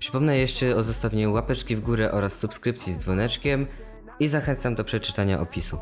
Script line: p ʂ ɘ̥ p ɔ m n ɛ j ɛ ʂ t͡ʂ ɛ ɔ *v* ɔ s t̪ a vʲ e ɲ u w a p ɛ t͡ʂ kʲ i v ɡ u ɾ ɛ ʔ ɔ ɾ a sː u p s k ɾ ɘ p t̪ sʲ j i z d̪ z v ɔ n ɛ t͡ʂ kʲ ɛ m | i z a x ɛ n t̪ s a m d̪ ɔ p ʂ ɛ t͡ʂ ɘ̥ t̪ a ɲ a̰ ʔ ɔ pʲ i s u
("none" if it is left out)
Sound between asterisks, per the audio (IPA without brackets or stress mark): z